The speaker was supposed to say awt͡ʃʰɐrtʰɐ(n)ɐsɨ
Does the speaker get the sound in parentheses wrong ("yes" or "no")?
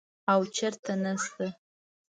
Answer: no